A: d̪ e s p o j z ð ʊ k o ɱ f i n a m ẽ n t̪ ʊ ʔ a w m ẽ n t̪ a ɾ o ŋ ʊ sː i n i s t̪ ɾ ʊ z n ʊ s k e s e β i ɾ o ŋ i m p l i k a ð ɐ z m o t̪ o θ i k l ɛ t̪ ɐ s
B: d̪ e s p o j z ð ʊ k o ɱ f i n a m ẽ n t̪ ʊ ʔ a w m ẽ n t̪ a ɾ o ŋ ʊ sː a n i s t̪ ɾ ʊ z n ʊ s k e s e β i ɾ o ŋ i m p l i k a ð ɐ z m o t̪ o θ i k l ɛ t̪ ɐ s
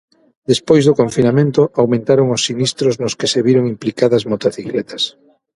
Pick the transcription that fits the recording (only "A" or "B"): A